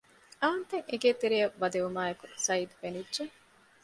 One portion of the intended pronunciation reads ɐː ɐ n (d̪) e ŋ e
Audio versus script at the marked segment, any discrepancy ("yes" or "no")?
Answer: yes